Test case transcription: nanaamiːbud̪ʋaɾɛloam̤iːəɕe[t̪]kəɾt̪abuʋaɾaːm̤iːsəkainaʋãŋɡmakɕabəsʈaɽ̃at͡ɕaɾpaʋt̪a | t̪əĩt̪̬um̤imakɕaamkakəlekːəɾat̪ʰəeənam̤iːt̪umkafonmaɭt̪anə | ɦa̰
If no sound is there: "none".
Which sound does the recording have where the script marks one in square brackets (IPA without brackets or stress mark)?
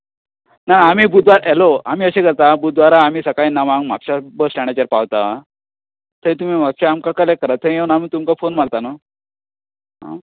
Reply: none